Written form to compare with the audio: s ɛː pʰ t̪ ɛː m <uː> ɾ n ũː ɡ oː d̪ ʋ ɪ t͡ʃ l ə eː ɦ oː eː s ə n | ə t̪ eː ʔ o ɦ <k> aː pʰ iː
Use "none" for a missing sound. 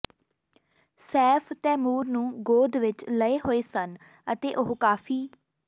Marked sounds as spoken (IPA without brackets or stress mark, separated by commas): uː, k